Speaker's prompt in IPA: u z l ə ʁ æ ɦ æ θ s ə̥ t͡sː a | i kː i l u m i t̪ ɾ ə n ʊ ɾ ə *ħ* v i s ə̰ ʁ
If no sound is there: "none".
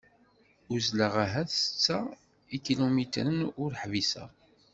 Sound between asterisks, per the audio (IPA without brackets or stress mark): ħ